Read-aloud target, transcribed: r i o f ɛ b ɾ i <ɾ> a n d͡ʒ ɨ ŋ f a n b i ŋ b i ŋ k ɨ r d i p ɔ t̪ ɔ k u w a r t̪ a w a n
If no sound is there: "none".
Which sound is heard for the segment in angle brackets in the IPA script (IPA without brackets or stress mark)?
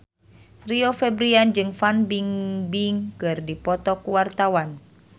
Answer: none